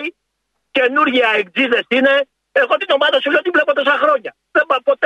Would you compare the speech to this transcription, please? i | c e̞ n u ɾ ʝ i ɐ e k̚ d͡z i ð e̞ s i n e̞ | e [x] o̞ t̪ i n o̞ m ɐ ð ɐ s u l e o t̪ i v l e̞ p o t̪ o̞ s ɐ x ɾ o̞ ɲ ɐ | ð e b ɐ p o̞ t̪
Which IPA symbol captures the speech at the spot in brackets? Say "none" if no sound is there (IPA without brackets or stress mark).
ɣ